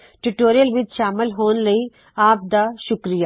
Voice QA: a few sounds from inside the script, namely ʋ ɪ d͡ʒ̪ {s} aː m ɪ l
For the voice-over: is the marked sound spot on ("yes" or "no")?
no